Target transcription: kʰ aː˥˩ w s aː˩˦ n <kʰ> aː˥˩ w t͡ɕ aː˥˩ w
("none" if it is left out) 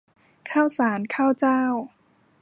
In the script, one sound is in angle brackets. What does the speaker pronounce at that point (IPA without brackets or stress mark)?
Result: kʰ